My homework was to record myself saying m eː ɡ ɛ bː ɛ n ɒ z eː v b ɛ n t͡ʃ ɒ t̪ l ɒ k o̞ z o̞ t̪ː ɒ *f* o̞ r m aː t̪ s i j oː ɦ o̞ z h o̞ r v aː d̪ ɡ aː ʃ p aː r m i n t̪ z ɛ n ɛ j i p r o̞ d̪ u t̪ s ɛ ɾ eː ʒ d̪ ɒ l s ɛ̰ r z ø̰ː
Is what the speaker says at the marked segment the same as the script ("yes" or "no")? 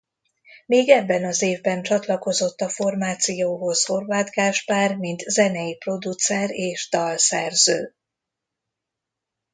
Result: yes